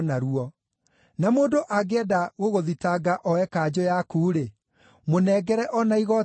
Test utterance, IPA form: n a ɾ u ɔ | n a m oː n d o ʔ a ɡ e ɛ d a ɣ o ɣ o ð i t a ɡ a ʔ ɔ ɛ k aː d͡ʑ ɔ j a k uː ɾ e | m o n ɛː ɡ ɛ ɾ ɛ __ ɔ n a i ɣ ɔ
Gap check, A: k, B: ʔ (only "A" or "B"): B